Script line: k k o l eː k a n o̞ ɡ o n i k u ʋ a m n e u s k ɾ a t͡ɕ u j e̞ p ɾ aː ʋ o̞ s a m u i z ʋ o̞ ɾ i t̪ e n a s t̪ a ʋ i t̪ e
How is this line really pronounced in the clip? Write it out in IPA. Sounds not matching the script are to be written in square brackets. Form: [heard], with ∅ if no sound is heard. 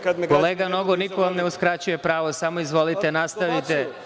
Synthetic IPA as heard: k k o l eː [ɡ] a n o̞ ɡ o n i k [o] ʋ a m n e u s k ɾ a t͡ɕ u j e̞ p ɾ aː ʋ o̞ s a m [o] i z ʋ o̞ [l] i t̪ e n a s t̪ a ʋ i t̪ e